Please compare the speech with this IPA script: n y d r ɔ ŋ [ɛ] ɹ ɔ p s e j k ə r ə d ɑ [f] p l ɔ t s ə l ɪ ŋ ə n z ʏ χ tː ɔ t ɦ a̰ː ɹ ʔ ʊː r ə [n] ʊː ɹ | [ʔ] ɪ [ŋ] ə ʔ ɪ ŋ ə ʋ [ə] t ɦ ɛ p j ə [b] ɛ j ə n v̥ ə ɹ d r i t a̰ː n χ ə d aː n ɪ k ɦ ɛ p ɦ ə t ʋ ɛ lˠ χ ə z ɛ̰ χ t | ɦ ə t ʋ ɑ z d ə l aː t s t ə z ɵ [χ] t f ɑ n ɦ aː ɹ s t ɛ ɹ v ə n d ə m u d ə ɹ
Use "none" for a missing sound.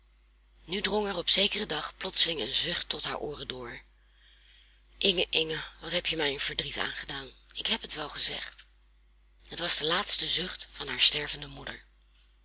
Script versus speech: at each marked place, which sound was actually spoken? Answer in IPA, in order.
ɛ, χ, d, ʔ, ŋ, ɑ, m, χ

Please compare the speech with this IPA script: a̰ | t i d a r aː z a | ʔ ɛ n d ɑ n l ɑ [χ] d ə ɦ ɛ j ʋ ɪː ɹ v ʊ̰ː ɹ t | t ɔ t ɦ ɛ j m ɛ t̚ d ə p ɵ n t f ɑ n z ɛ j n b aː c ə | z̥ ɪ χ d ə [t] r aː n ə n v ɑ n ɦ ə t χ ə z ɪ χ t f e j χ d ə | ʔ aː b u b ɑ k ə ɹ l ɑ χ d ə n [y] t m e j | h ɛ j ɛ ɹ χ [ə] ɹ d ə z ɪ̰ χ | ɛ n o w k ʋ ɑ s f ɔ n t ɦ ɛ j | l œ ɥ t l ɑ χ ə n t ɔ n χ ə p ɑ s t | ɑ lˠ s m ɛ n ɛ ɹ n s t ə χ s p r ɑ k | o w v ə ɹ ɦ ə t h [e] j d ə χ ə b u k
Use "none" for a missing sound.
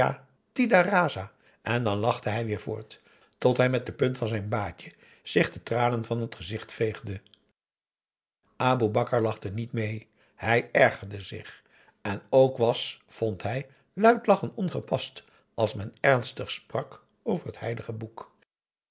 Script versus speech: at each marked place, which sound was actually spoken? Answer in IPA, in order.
χ, t, i, ə, ɛ

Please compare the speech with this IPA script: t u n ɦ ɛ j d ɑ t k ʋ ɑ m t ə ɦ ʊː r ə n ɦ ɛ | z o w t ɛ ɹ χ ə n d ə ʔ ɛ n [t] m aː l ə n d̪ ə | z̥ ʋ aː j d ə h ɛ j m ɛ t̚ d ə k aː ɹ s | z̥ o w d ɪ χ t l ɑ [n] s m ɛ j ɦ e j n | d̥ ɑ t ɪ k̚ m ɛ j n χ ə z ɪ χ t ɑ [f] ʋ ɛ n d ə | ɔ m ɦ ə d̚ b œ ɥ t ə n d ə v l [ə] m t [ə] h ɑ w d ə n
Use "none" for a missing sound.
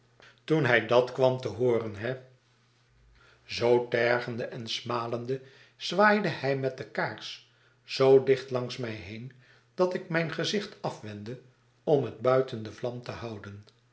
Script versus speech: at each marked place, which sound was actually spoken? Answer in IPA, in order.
s, ŋ, f, ɑ, ə

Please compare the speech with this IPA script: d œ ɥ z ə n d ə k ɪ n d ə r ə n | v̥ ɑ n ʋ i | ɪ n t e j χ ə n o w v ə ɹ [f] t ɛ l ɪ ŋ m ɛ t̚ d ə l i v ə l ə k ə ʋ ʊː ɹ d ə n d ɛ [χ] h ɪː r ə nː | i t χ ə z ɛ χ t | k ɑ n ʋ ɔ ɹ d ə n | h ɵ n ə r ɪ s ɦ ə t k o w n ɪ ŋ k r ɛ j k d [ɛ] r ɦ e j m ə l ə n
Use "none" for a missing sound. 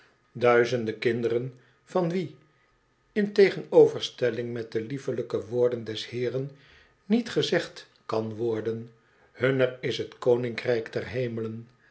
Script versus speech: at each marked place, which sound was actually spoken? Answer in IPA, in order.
s, s, ɛ

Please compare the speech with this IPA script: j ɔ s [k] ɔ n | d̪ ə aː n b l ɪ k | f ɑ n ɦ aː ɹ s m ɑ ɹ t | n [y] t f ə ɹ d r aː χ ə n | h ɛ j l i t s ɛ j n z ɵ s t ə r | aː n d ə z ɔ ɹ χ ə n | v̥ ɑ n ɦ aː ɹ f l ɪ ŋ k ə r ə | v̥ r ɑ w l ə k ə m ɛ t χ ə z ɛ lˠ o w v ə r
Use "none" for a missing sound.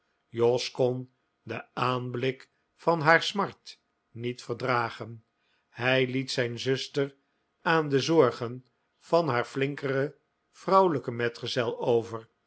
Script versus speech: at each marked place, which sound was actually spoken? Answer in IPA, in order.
k, i

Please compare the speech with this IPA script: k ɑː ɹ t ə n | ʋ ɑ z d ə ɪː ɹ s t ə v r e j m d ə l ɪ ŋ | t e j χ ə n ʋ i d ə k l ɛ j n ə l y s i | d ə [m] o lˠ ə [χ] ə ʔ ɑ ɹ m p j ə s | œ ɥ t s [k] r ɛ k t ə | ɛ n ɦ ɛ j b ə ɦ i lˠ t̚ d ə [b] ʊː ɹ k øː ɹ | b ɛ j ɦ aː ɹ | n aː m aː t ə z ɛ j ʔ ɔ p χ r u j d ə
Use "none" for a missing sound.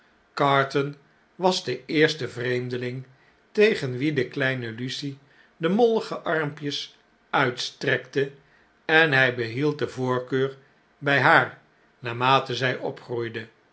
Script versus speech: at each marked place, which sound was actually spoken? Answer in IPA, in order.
m, χ, t, v

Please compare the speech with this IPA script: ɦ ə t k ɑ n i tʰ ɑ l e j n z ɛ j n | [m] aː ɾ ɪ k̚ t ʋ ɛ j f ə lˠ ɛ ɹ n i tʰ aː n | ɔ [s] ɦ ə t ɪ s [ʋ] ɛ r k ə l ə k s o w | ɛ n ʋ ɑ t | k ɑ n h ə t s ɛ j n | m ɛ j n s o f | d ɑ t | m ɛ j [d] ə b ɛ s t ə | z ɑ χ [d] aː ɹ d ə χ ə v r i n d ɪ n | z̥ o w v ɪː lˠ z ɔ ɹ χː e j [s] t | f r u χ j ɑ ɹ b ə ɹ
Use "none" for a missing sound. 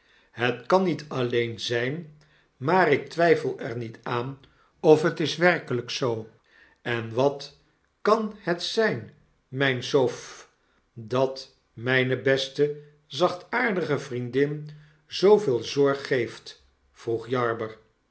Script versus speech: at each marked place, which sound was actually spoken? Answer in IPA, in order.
m, f, ʋ, n, t, f

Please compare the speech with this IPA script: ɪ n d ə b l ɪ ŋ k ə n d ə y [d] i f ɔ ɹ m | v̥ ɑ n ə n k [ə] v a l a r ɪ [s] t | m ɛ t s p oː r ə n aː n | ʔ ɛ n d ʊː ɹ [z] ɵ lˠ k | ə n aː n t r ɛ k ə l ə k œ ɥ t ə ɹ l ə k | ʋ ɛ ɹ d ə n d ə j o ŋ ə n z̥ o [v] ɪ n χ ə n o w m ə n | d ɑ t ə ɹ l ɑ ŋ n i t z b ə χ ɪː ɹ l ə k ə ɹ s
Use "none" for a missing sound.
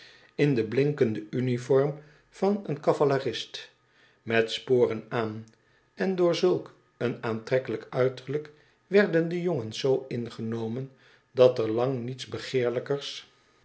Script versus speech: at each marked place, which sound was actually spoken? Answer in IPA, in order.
n, ɑ, s, z, w

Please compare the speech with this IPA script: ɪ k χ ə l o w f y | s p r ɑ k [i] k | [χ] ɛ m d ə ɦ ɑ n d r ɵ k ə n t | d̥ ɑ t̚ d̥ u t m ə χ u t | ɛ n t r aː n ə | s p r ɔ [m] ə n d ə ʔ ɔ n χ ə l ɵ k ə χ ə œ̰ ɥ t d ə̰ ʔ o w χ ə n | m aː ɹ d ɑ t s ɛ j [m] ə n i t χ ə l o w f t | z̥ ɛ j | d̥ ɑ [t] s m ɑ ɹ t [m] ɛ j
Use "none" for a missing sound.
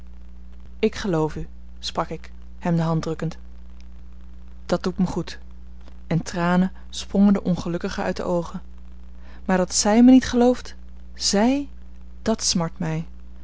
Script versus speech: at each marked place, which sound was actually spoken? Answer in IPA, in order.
ɪ, h, ŋ, m, t, m

